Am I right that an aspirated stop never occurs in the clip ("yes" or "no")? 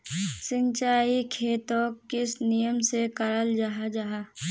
no